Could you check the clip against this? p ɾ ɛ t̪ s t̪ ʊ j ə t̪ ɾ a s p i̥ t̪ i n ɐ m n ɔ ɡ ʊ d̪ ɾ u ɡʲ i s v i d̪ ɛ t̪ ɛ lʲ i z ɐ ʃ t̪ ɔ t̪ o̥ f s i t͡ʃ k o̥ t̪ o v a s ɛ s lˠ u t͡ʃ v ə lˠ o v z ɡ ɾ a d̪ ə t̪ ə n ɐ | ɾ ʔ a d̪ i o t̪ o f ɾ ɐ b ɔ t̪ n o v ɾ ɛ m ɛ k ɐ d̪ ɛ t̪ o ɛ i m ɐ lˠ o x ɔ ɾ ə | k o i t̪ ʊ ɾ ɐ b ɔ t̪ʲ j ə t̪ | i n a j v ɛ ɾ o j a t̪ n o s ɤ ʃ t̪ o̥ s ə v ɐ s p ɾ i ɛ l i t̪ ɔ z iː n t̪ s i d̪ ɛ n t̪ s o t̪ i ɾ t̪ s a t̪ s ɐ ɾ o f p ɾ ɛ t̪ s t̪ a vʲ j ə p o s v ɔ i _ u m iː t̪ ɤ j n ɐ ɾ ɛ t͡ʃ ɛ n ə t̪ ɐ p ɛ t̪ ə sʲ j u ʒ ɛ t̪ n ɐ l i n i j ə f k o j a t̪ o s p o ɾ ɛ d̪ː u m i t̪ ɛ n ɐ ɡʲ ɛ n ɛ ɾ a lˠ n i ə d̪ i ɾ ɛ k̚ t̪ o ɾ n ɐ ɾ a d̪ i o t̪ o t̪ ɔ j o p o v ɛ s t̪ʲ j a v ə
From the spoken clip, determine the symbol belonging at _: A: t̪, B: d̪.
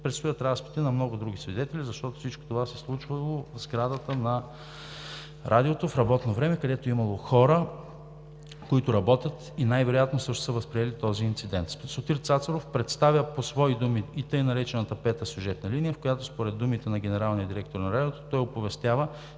B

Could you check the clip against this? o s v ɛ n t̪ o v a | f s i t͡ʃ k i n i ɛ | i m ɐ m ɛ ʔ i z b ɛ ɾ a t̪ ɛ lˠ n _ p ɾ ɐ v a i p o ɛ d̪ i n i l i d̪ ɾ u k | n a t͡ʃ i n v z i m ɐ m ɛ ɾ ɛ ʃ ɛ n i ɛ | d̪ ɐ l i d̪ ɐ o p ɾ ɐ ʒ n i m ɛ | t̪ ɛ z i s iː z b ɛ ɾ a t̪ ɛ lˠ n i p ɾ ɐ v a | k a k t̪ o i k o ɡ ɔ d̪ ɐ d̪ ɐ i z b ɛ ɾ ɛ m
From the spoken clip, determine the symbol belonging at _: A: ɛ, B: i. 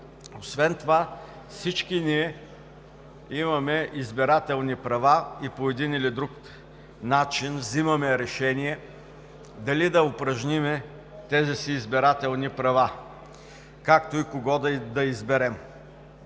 B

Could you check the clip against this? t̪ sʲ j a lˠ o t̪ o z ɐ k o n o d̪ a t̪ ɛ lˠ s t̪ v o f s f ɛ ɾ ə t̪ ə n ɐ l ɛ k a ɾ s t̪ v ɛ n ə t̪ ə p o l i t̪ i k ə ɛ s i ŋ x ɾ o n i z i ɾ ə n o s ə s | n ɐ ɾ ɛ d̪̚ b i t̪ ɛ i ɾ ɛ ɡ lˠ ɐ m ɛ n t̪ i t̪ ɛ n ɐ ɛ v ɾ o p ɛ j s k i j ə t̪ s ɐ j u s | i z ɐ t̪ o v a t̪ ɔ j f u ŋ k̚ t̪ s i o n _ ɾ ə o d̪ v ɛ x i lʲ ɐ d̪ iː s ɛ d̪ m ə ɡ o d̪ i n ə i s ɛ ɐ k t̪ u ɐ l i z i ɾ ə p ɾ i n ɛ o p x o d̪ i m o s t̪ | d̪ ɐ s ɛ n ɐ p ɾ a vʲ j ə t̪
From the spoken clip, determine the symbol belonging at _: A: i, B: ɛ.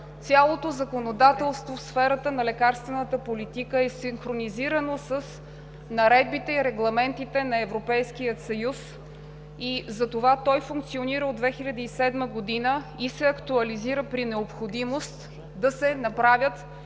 A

